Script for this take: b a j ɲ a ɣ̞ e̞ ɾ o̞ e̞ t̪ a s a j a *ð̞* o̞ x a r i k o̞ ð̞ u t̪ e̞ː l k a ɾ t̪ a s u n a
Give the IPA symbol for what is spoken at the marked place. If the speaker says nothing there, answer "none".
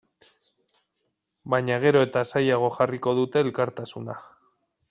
ɣ̞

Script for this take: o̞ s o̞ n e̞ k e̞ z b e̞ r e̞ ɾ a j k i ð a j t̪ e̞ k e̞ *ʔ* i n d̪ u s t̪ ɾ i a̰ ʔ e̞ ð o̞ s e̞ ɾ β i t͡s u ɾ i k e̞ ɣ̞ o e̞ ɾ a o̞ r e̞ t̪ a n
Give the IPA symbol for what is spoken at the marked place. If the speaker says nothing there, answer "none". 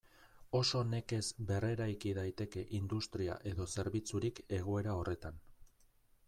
ʔ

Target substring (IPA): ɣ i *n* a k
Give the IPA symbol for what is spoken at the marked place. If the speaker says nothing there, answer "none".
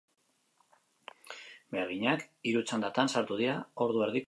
ɲ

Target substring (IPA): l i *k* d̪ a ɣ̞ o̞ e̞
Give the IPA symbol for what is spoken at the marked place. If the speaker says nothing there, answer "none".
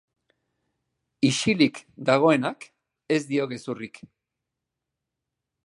k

